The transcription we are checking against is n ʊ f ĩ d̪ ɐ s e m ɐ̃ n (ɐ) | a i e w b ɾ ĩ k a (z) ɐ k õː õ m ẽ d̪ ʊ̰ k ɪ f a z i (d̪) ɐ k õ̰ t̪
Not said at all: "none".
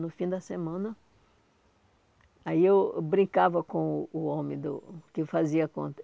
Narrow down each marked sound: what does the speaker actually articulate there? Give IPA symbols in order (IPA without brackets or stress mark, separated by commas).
ɐ, v, none